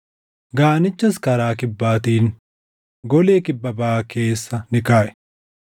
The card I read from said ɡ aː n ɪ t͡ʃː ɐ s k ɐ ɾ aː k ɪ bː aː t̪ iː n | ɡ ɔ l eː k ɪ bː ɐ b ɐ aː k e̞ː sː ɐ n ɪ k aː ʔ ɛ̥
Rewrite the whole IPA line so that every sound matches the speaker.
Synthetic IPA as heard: ɡ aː n ɪ t͡ʃː ɐ s k ɐ ɾ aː k ɪ bː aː t̪ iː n | ɡ ɔ l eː k ɪ bː ɐ b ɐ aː k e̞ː sː ɐ n ɪ k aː ʔ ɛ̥